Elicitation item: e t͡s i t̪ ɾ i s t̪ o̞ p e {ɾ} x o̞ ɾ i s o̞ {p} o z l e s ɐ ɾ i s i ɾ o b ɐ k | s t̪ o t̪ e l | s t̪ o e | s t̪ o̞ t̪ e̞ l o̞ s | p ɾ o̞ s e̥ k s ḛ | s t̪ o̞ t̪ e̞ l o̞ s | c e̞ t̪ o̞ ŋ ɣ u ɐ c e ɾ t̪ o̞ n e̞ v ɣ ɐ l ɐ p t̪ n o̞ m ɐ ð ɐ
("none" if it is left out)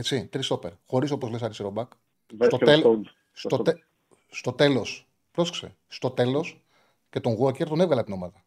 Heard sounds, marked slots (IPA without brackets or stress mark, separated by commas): ɾ, p